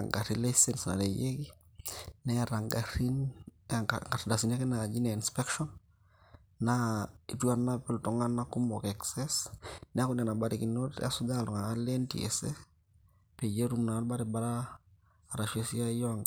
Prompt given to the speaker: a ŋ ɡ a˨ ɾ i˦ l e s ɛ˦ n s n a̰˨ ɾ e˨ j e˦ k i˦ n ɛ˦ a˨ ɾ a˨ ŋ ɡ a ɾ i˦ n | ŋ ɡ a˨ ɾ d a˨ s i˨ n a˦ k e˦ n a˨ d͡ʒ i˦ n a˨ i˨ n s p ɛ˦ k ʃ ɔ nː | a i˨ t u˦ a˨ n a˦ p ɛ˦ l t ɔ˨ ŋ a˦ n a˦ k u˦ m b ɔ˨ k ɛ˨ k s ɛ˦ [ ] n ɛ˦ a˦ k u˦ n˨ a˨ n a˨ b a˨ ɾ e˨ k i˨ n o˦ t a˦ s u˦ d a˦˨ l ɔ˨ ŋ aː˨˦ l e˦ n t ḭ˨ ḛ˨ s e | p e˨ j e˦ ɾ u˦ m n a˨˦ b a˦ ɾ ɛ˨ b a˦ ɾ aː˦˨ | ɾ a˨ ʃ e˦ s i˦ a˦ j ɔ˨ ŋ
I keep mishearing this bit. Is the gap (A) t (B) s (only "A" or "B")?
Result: B